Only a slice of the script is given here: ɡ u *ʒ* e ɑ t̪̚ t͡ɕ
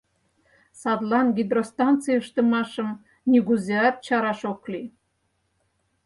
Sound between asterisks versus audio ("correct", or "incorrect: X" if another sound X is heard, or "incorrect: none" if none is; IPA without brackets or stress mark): incorrect: z